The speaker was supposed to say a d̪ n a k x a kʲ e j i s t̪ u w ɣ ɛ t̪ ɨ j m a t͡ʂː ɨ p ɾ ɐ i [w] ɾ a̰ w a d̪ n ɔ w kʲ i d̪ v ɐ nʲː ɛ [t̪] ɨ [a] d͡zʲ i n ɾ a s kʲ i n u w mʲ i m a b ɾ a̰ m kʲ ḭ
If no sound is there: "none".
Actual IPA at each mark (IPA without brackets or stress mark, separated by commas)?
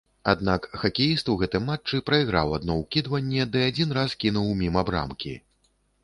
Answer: ɣ, d̪, a